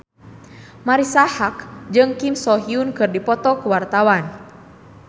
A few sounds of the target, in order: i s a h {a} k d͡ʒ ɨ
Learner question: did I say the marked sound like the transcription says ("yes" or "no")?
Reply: yes